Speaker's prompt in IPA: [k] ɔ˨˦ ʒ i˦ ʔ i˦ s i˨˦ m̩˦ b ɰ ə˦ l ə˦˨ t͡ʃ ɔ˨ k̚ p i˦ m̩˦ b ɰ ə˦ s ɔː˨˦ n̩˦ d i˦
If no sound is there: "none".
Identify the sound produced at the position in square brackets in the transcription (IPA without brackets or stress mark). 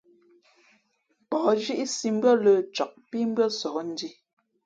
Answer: p